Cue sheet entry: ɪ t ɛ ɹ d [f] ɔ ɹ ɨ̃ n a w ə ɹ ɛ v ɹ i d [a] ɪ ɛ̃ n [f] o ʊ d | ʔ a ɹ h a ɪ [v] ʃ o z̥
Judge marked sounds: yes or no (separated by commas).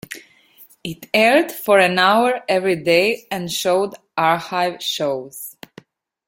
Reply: yes, no, no, yes